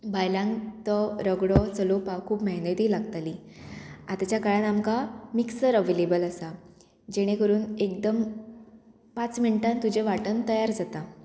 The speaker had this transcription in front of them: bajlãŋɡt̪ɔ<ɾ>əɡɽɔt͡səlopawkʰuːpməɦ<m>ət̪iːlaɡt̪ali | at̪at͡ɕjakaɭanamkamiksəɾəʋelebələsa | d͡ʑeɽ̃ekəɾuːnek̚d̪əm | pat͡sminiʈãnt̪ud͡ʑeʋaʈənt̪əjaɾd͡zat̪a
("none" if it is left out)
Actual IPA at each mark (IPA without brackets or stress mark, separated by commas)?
ɾ, n